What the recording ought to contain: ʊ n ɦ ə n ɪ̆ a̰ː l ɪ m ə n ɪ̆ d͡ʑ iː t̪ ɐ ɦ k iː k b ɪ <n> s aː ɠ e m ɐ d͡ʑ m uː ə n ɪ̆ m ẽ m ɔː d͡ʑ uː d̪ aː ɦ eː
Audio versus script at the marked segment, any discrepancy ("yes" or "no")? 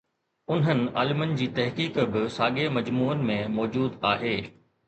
yes